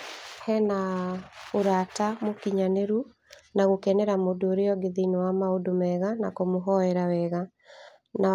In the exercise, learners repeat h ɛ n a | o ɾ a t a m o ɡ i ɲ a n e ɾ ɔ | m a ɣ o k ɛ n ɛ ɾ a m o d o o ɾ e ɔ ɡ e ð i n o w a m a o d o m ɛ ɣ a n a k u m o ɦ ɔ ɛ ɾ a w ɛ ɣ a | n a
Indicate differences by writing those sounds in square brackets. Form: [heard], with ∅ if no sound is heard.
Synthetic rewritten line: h ɛ n a | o ɾ a t a m o [k] i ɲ a n e ɾ [u] | [n] a ɣ o k ɛ n ɛ ɾ a m o d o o ɾ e ɔ ɡ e ð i n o w a m a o d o m ɛ ɣ a n a k [o] m o ɦ ɔ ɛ ɾ a w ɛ ɣ a | n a